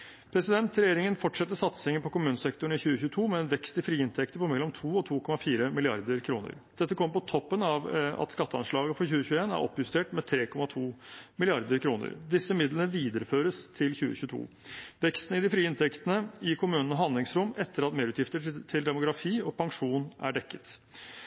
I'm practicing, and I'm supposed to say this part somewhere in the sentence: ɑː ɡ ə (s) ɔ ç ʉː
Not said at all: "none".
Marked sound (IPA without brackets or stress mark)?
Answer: f